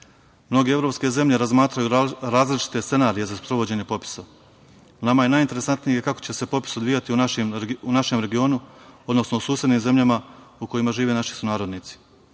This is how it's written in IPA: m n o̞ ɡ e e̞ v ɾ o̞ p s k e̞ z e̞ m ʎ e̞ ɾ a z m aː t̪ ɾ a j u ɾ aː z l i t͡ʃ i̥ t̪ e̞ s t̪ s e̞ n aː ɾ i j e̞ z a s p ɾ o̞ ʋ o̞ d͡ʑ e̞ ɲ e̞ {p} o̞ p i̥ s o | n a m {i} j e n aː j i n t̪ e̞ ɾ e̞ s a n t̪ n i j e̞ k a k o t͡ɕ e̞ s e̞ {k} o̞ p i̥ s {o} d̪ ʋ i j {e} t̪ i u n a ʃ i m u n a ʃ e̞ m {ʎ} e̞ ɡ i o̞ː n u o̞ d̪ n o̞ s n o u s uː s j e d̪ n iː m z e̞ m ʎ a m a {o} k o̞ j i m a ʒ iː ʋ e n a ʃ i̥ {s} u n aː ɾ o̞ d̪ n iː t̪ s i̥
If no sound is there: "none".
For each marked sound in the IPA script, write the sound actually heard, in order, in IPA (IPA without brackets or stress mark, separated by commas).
p, a, p, o, a, ɾ, u, s